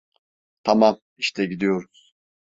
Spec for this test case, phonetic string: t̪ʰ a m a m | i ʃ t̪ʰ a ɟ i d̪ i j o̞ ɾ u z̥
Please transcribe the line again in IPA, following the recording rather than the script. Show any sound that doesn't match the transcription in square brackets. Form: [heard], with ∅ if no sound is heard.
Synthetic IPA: t̪ʰ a m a m | i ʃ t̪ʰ [ɛ] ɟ i d̪ i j o̞ ɾ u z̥